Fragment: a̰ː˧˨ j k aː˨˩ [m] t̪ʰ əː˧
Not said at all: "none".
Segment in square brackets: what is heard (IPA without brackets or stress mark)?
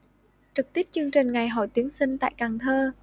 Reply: ŋ